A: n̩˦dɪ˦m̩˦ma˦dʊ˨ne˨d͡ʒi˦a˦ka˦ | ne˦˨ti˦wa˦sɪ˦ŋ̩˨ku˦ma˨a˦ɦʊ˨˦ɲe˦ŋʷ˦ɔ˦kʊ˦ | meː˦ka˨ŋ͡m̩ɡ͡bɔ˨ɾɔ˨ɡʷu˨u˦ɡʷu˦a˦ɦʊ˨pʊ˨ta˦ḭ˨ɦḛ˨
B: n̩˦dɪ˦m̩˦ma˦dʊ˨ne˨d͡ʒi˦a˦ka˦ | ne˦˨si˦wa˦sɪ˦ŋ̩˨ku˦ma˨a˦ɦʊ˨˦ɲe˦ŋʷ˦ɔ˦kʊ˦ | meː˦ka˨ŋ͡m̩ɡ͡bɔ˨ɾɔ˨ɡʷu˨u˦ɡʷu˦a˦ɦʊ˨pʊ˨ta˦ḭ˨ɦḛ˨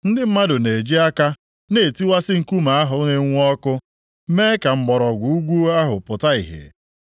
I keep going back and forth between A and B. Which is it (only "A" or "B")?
A